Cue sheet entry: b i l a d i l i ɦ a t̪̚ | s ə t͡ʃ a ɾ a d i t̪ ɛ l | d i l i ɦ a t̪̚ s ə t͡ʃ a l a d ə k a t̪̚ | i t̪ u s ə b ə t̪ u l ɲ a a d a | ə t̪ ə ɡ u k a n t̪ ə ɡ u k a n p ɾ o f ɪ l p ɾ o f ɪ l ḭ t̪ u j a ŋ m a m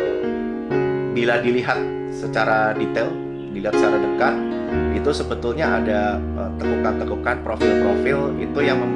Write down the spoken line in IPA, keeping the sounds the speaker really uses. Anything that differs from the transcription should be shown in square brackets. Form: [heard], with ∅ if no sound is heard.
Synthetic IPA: b i l a d i l i ɦ a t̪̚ | s ə t͡ʃ a ɾ a d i t̪ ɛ l | d i l i ɦ a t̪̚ s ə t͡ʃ a [ɾ] a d ə k a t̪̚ | i t̪ u s ə b ə t̪ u l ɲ a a d a | ə t̪ ə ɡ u k a n t̪ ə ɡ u k a n p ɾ o f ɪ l p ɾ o f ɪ l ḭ t̪ u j a ŋ m [ə] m